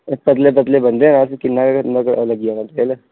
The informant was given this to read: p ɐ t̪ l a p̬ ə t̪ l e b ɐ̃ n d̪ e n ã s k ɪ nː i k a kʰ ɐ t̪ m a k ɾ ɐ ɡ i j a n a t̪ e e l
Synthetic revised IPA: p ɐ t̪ l e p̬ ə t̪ l e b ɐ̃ n d̪ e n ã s k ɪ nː a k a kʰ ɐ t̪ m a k l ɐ ɡ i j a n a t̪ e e l